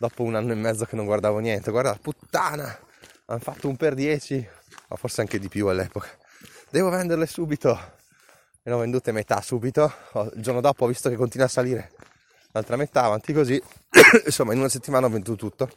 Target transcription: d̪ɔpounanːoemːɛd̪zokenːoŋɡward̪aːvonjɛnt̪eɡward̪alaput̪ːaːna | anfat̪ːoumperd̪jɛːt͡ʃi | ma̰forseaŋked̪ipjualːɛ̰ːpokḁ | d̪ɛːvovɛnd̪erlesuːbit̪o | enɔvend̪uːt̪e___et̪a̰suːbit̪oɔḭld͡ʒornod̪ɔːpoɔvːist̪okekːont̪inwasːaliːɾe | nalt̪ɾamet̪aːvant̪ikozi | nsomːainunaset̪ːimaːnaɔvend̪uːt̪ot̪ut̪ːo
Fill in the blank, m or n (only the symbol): m